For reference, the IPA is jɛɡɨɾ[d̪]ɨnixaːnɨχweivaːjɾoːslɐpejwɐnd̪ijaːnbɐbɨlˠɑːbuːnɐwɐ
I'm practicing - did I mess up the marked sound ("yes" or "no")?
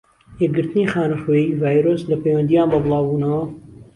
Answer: yes